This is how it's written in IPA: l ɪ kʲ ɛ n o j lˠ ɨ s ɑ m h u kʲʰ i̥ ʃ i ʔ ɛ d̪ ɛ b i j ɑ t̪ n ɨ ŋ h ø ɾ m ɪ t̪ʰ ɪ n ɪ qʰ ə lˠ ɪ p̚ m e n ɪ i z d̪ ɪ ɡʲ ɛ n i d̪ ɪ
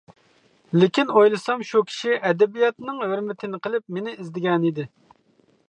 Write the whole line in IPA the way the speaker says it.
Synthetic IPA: l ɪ kʲ i n o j lˠ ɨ s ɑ m ʃ u kʲʰ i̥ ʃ i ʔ ɛ d̪ ɛ b i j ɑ t̪ n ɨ ŋ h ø ɾ m ɪ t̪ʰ ɪ n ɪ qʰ ə lˠ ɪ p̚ m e n ɪ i z d̪ ɪ ɡʲ ɛ n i d̪ ɪ